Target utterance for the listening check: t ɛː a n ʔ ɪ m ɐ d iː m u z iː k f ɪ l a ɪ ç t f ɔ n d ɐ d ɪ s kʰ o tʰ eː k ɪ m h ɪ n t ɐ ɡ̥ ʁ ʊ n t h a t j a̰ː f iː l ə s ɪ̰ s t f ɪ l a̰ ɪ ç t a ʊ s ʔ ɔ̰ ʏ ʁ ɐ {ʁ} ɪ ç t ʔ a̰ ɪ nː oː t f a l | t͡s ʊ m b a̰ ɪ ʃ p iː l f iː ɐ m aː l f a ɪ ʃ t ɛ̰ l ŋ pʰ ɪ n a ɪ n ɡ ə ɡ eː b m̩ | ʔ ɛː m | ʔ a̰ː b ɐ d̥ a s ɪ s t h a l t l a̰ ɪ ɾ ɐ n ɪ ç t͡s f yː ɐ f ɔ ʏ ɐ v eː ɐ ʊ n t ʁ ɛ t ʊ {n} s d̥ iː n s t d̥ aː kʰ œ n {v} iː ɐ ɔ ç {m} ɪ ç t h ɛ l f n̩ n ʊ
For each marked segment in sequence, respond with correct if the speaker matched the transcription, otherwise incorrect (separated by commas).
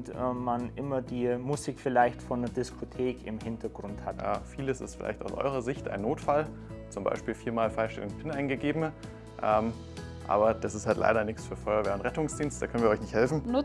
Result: incorrect, incorrect, correct, incorrect